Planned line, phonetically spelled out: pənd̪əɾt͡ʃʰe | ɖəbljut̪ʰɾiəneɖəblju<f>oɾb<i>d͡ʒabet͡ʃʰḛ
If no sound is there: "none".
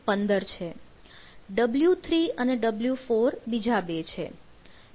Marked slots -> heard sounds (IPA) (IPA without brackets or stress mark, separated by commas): f, i